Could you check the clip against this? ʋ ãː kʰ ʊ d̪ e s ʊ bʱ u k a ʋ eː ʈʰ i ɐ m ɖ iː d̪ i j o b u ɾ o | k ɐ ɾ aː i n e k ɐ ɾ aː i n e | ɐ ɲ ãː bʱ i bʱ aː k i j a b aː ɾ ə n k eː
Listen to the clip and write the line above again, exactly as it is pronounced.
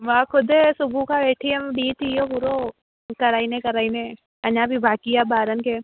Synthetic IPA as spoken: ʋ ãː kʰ ʊ d̪ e s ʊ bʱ u k a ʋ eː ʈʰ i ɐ m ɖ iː t̪ i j o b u ɾ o | k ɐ ɾ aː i n e k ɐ ɾ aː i n e | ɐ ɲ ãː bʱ i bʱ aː k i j a b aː ɾ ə n k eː

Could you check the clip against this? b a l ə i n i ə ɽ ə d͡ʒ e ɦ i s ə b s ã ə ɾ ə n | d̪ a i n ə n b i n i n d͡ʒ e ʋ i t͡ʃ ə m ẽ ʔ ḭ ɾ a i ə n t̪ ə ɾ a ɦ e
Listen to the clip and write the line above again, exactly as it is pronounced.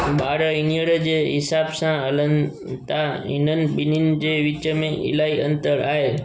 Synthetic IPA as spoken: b a ɾ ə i n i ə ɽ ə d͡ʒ e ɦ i s a b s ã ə l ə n | t̪ a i n ə n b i n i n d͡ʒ e ʋ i t͡ʃ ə m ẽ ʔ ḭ l a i ə n t̪ ə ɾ a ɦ e

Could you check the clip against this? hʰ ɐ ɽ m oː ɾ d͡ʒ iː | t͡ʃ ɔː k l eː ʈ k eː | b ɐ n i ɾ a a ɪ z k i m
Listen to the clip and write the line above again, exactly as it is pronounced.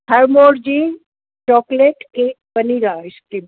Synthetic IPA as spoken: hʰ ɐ ɾ m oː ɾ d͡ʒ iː | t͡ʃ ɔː k l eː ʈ k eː | b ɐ n i ɾ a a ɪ s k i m

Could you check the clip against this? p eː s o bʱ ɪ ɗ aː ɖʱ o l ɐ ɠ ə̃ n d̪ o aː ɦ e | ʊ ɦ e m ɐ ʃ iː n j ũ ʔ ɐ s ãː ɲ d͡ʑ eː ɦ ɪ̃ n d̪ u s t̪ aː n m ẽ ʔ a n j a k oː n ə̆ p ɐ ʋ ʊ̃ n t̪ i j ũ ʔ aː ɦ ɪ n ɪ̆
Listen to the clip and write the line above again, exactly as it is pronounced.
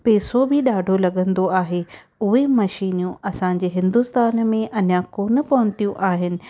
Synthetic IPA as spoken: p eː s o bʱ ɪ ɗ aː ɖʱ o l ɐ ɠ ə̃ n d̪ o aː ɦ e | ʊ ɦ e m ɐ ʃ iː n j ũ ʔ ɐ s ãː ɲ d͡ʑ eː ɦ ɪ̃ n d̪ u s t̪ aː n m ẽ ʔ ɐ n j a k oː n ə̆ p ɐ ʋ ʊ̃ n t̪ i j ũ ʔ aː ɦ ɪ n ɪ̆

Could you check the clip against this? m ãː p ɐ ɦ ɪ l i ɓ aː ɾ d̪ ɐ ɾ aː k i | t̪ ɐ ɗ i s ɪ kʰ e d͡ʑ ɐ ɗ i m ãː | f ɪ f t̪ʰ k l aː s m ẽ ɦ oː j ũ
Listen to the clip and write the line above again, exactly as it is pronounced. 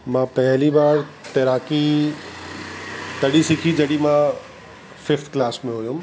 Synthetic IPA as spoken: m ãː p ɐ ɦ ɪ l i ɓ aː ɾ t̪ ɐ ɾ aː k i | t̪ ɐ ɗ i s ɪ kʰ i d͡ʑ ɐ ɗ i m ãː | f ɪ f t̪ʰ k l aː s m ẽ ɦ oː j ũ

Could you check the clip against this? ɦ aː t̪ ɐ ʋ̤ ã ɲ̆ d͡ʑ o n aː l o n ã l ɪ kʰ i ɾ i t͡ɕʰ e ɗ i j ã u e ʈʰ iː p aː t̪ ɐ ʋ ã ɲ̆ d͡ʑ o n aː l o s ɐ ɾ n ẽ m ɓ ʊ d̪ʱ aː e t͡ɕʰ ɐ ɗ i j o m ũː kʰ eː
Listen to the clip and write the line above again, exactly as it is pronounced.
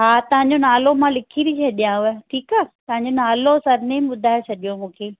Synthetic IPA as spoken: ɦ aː t̪ ɐ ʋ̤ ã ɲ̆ d͡ʑ o n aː l o m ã l ɪ kʰ i ɾ i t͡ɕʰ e ɗ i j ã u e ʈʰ iː k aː t̪ ɐ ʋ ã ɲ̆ d͡ʑ o n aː l o s ɐ ɾ n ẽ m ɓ ʊ d̪ʱ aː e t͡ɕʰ ɐ ɗ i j o m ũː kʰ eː

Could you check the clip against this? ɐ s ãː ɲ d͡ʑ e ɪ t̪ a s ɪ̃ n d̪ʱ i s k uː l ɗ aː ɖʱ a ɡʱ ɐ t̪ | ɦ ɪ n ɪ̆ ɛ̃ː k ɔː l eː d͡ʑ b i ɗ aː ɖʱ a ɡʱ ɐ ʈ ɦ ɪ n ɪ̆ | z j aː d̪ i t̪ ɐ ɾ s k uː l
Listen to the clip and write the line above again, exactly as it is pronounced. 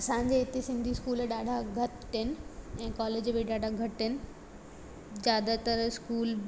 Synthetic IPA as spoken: ɐ s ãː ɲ d͡ʑ e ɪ t̪ e s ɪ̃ n d̪ʱ i s k uː l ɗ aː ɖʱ a ɡʱ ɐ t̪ | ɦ ɪ n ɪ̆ ɛ̃ː k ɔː l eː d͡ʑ b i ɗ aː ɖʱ a ɡʱ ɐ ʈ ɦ ɪ n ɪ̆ | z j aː d̪ a t̪ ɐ ɾ s k uː l

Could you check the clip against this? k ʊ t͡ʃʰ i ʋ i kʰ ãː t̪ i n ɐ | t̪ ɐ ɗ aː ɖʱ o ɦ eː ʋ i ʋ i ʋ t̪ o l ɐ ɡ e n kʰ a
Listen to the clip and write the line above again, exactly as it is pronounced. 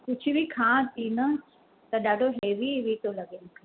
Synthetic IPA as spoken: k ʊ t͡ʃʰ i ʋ i kʰ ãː t̪ i n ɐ | t̪ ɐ ɗ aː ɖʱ o ɦ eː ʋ i ʋ i t̪ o l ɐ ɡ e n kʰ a

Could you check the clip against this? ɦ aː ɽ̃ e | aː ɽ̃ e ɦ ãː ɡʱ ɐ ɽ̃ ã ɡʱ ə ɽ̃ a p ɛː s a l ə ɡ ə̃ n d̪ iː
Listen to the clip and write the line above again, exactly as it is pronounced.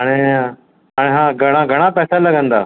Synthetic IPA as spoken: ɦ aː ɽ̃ e | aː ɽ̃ e ɦ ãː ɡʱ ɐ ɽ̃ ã ɡʱ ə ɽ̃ a p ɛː s a l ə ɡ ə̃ n d̪ aː

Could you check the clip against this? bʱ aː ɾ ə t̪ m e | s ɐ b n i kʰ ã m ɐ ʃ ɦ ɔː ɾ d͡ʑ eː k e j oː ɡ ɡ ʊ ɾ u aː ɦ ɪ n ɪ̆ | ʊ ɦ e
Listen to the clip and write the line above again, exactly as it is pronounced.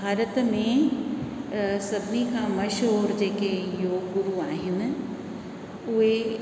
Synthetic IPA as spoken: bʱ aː ɾ ə t̪ m ẽ | s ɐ b n i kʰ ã m ɐ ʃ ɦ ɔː ɾ d͡ʑ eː k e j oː ɡ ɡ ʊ ɾ u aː ɦ ɪ n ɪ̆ | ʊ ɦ e

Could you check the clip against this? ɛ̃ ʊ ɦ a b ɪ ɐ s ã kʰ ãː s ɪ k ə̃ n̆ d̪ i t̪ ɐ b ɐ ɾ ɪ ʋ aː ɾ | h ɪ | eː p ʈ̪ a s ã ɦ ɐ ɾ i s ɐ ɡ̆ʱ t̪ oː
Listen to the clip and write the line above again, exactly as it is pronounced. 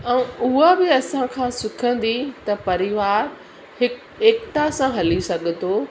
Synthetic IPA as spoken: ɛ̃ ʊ ɦ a b ɪ ɐ s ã kʰ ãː s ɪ kʰ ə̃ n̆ d̪ i t̪ ɐ p ɐ ɾ ɪ ʋ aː ɾ | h ɪ | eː k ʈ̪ a s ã ɦ ɐ l i s ɐ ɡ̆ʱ t̪ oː

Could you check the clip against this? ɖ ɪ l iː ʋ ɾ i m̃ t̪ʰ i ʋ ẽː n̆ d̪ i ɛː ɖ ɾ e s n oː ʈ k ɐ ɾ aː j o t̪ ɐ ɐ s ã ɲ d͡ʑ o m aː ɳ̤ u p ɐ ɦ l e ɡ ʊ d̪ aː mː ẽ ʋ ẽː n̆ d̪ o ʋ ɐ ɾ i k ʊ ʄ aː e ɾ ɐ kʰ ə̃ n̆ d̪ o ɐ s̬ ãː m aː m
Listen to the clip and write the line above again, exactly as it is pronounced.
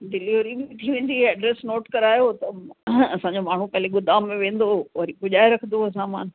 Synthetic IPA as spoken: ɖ ɪ l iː ʋ ɾ i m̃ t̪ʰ i ʋ ẽː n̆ d̪ i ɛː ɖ ɾ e s n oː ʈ k ɐ ɾ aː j o t̪ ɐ ɐ s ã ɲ d͡ʑ o m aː ɳ̤ u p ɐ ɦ l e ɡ ʊ d̪ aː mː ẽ ʋ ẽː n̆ d̪ o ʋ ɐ ɾ i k ʊ ʄ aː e ɾ ɐ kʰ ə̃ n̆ d̪ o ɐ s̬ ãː m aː n

